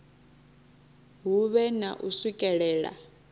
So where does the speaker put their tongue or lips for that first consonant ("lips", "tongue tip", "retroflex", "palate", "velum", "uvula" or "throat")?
throat